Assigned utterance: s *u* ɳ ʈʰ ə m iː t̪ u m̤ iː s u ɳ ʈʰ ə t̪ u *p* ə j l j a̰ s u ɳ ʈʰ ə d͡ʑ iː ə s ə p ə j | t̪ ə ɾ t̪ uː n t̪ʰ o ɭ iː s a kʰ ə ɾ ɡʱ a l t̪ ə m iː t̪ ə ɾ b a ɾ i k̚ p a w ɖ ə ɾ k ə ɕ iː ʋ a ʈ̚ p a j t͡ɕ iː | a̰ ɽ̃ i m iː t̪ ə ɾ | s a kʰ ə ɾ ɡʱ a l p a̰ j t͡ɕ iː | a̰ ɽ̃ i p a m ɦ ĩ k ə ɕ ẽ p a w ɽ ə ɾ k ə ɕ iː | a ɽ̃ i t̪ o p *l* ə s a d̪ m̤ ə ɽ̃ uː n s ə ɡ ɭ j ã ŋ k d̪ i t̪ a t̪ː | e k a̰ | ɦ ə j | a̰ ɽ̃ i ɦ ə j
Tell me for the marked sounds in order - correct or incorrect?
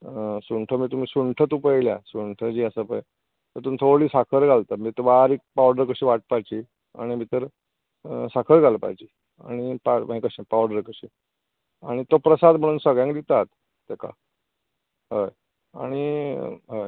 correct, correct, incorrect: ɾ

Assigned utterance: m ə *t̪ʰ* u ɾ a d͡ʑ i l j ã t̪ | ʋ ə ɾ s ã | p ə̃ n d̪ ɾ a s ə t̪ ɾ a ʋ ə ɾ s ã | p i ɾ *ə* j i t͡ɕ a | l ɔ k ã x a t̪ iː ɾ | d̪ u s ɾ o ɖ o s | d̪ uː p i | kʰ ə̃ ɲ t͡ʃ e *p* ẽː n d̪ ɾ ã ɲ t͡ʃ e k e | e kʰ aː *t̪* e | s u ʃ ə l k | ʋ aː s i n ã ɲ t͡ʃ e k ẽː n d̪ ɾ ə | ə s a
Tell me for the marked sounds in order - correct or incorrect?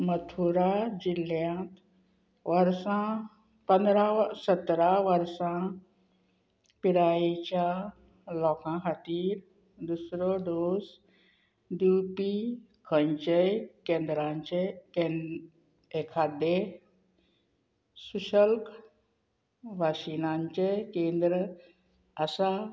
correct, incorrect: a, incorrect: k, incorrect: d̪

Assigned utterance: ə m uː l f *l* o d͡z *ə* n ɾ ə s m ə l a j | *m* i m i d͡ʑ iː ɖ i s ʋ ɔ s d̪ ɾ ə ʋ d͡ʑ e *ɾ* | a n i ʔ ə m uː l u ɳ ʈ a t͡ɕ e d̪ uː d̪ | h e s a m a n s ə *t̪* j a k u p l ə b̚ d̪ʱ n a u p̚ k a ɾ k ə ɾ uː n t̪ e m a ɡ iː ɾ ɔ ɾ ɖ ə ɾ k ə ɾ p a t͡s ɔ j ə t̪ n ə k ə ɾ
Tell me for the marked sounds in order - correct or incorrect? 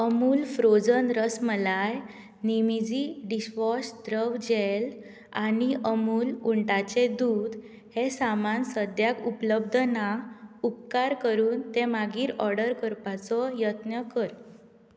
incorrect: ɾ, correct, incorrect: n, incorrect: l, incorrect: d̪

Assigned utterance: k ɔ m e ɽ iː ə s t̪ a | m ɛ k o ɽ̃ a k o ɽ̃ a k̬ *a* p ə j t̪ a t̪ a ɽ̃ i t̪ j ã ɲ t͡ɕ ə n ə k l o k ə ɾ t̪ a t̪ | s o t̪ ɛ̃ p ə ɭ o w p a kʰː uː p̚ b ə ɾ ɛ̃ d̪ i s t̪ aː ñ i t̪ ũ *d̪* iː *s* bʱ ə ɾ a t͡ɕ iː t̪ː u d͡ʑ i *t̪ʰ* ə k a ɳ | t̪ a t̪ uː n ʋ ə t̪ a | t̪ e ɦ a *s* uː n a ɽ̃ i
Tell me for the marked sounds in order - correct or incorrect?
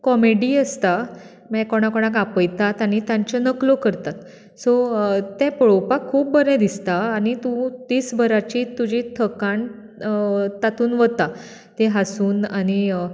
correct, incorrect: t̪, correct, correct, correct

